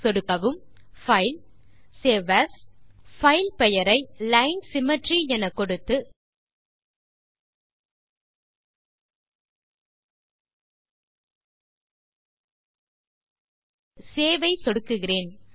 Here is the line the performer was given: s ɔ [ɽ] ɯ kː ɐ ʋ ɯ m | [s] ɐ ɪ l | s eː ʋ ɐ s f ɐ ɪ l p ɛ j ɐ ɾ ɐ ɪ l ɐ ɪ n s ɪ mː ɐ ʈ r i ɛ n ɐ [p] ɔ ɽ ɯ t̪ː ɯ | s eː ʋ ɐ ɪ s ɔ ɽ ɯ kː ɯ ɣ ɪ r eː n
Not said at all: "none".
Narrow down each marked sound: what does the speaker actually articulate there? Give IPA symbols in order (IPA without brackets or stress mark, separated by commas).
ɽ, f, k